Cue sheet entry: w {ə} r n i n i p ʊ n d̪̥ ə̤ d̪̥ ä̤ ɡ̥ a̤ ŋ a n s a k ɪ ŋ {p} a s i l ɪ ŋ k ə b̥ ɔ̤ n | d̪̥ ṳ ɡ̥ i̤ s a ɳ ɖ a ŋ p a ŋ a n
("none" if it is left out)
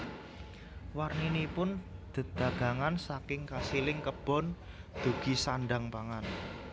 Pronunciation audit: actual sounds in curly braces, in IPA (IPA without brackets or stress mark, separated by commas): a, k